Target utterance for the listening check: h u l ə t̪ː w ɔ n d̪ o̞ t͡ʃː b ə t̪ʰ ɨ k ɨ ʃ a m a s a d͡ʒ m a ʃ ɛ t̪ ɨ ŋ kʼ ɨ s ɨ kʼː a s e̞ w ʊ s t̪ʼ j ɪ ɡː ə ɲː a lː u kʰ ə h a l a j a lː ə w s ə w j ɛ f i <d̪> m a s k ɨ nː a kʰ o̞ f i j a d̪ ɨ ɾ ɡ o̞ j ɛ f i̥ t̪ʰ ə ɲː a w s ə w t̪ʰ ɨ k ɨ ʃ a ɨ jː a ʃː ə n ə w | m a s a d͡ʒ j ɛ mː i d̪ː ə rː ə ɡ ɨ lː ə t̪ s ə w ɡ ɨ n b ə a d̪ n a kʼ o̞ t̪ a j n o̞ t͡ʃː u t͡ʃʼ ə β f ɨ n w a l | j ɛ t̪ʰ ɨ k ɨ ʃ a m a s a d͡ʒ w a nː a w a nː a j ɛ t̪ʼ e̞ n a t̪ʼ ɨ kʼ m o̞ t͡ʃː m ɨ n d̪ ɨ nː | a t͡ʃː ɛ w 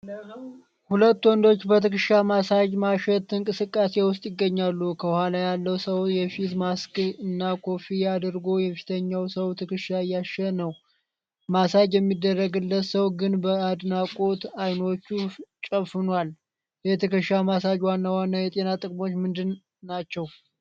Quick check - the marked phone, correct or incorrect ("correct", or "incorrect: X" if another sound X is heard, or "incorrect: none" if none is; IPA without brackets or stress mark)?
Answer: incorrect: t̪